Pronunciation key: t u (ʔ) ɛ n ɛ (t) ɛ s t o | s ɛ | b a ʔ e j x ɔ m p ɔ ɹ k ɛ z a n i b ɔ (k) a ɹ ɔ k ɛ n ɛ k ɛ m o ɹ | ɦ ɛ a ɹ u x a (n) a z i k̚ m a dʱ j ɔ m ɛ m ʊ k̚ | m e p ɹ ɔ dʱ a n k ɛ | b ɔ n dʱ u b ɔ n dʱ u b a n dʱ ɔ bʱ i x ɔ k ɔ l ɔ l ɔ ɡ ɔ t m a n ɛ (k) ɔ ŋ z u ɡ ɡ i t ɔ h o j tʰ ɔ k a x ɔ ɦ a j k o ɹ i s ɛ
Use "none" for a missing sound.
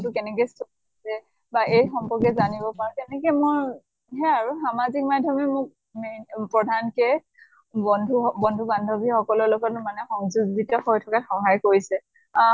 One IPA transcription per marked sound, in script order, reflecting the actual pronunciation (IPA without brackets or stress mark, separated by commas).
k, k, p, m, x